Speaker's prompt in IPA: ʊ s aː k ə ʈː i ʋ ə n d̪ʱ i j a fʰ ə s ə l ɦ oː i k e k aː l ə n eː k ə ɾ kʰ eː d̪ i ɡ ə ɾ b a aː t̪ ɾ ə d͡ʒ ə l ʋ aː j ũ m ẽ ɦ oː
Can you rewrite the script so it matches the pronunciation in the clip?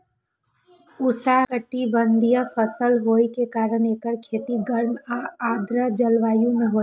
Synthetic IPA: ʊ s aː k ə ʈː i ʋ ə n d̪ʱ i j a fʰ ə s ə l ɦ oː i k e k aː ɾ ə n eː k ə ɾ kʰ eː t̪ i ɡ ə ɾ m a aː d̪ ɾ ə d͡ʒ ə l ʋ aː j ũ m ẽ ɦ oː